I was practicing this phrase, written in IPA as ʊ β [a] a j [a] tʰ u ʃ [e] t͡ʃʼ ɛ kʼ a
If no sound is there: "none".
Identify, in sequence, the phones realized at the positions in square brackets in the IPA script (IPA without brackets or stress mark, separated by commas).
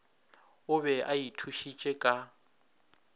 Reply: ɛ, i, i